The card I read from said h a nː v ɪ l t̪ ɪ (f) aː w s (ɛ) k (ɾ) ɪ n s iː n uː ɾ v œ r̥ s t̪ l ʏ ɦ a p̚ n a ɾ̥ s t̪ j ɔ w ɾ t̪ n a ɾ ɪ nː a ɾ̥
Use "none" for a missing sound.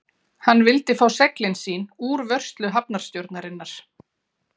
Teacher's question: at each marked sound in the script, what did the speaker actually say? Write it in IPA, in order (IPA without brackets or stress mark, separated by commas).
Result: f, ɛ, l